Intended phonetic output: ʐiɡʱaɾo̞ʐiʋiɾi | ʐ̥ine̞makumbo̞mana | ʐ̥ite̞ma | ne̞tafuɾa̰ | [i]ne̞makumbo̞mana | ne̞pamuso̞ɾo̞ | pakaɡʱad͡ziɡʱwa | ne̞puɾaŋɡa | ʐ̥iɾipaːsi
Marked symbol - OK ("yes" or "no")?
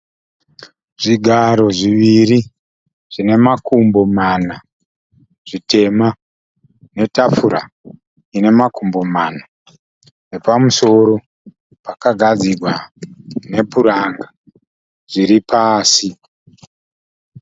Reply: yes